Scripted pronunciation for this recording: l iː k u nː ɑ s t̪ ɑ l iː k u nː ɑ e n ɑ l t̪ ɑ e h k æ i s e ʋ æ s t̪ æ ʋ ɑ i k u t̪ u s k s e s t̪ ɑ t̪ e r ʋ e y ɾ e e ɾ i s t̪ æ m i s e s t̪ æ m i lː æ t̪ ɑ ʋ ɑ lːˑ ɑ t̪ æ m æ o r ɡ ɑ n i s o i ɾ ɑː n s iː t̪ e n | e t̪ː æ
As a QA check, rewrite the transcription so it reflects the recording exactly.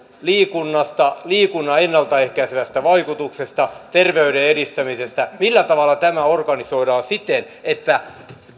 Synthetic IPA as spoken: l iː k u nː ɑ s t̪ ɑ l iː k u nː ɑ e nː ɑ l t̪ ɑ e h k æ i s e ʋ æ s t̪ æ ʋ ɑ i k u t̪ u k s e s t̪ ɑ t̪ e r ʋ e y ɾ e e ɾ i s t̪ æ m i s e s t̪ æ m i lː æ t̪ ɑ ʋ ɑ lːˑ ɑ t̪ æ m æ o r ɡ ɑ n i s o i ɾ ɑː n s i t̪ e n | e t̪ː æ